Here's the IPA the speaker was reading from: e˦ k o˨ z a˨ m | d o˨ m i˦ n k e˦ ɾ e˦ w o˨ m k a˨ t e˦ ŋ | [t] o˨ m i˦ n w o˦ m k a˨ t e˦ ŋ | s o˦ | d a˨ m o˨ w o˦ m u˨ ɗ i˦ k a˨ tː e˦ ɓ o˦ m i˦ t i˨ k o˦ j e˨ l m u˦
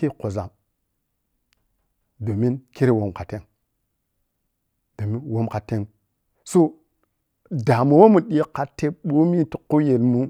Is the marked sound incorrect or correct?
incorrect